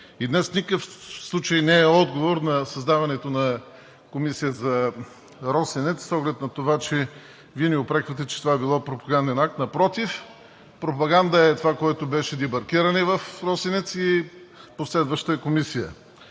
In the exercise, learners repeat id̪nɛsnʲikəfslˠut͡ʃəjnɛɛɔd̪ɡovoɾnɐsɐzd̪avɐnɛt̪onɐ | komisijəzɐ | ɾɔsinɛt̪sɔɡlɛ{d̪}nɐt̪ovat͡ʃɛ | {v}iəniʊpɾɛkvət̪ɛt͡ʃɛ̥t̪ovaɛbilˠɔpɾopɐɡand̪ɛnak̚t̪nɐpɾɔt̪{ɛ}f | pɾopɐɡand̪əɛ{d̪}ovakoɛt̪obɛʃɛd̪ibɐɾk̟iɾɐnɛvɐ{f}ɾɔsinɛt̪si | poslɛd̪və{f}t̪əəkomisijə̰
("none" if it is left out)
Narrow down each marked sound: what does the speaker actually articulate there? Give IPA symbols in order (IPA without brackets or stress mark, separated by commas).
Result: t̪, v, i, t̪, f, ʃ